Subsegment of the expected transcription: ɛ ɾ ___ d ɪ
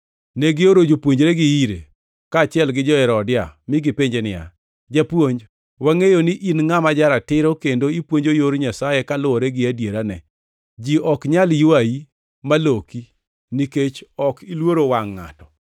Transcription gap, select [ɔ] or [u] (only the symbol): ɔ